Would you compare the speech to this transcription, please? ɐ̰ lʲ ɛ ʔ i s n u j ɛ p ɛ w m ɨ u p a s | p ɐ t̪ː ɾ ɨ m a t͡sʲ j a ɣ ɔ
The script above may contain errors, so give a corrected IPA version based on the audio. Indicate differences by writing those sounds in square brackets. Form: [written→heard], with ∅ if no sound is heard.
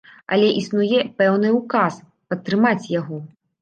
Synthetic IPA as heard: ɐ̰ lʲ ɛ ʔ i s n u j ɛ p ɛ w [m→n] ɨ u [p→k] a s | p ɐ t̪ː ɾ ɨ m a t͡sʲ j a ɣ ɔ